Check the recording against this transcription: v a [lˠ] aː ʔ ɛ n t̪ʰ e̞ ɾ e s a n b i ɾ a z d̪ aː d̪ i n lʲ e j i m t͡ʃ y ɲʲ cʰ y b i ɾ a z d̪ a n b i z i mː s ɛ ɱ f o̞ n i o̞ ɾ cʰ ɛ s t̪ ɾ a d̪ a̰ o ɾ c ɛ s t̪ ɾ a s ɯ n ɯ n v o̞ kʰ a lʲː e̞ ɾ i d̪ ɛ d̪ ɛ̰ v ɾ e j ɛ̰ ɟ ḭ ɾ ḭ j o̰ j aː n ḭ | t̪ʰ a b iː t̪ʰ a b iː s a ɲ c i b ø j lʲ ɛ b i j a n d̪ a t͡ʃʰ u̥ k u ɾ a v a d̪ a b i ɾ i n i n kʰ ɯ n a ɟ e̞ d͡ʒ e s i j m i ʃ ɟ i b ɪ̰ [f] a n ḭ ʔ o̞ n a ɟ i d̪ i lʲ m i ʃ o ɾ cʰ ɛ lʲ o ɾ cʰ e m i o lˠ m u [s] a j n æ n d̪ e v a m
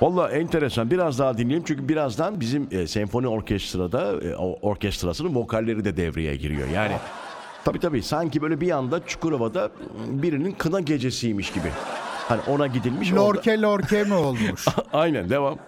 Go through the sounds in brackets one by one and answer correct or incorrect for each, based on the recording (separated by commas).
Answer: incorrect, incorrect, incorrect